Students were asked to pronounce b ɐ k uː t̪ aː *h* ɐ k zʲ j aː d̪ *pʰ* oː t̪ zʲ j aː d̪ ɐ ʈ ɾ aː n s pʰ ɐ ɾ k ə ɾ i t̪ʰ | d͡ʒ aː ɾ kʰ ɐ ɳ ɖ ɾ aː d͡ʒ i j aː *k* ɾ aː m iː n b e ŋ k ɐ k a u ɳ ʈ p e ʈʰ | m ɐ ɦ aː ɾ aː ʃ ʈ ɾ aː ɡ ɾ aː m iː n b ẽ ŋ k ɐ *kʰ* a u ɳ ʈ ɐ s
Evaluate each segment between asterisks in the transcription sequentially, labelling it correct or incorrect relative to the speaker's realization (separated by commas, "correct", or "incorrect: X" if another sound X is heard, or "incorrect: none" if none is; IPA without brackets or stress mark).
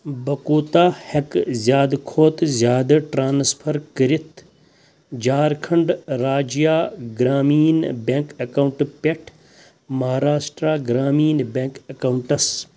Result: correct, incorrect: kʰ, incorrect: ɡ, incorrect: k